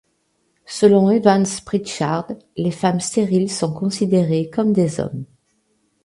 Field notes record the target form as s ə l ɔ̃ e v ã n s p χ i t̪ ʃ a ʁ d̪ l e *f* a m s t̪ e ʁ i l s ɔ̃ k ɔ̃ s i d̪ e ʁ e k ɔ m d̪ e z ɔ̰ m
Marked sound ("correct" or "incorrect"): correct